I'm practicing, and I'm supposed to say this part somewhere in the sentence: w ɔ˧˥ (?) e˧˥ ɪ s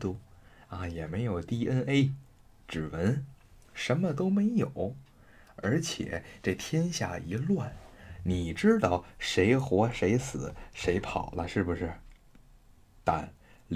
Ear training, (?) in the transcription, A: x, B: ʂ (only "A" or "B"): B